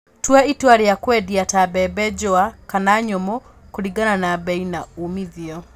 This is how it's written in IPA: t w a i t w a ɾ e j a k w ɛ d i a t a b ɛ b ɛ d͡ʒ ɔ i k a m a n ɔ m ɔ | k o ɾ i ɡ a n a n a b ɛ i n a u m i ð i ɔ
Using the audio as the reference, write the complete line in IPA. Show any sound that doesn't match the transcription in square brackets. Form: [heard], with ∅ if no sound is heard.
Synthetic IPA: t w a i t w a ɾ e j a k w ɛ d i a t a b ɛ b ɛ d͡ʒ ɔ [a] k a [n] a [ɲ] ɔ m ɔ | k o ɾ i ɡ a n a n a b ɛ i n a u m i ð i ɔ